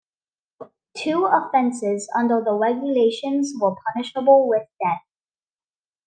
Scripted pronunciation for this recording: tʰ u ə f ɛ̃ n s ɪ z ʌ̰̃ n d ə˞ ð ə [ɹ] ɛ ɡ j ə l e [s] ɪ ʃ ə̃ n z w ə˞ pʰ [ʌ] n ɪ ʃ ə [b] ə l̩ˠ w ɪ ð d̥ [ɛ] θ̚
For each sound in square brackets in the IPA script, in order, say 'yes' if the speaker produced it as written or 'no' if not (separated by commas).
yes, no, yes, yes, yes